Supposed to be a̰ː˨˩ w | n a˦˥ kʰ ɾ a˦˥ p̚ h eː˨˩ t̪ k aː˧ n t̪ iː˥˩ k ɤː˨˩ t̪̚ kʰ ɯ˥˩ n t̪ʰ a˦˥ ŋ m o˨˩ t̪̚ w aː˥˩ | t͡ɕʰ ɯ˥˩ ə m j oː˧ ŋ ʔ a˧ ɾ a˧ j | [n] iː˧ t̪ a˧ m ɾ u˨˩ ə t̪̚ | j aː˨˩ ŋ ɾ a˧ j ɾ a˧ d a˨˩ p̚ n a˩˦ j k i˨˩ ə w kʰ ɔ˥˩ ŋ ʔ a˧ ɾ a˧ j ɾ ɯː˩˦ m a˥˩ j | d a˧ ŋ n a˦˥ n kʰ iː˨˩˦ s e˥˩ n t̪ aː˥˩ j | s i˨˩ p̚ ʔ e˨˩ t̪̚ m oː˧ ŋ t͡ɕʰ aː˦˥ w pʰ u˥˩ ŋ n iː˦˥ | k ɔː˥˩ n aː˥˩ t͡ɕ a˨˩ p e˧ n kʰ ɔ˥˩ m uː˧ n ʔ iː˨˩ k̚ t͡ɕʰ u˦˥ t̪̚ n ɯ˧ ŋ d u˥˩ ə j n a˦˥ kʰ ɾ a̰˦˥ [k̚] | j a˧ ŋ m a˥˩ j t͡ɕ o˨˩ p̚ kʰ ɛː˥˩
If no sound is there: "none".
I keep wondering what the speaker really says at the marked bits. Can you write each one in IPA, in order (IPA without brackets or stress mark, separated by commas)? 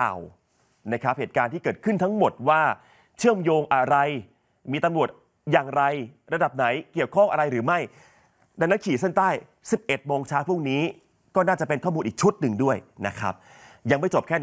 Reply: m, p̚